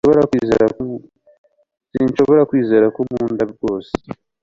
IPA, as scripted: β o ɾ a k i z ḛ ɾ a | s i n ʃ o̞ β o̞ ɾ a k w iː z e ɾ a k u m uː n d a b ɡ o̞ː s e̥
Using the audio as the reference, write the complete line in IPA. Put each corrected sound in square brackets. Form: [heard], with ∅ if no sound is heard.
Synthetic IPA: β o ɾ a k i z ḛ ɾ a | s i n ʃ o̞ β o̞ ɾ a k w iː z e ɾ a k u m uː n d a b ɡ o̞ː s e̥